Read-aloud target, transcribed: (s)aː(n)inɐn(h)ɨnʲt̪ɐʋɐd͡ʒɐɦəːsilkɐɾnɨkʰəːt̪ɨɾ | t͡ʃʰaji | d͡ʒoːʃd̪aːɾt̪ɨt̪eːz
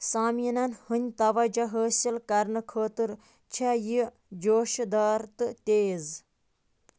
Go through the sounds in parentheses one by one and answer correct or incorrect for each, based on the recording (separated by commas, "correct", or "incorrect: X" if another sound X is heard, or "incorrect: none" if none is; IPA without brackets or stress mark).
correct, incorrect: m, correct